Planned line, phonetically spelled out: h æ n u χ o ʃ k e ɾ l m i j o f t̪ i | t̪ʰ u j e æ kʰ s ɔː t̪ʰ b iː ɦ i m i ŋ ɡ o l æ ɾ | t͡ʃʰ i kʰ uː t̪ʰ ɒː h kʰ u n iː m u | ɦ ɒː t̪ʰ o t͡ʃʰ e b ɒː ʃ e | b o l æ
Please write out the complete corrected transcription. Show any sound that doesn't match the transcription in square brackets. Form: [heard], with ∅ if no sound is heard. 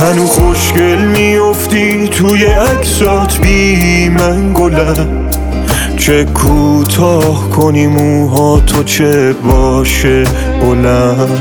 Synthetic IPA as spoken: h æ n u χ o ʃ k e [∅] l m i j o f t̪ i | t̪ʰ u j e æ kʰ s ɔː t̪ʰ b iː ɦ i m [æ] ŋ ɡ o l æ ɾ | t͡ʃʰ [e] kʰ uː t̪ʰ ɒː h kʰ [o] n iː m u | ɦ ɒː t̪ʰ o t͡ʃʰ e b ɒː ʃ e | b o l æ